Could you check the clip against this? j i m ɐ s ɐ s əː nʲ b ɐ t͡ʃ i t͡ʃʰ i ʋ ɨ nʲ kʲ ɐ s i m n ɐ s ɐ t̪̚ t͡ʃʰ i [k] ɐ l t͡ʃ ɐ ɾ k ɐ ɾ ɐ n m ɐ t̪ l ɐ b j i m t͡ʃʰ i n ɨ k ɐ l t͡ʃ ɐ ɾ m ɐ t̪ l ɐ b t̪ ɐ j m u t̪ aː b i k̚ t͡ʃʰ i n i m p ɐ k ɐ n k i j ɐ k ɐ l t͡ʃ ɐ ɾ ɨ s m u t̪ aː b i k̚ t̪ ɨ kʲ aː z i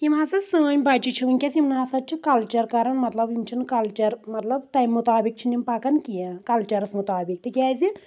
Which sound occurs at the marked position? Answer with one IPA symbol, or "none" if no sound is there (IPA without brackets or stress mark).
k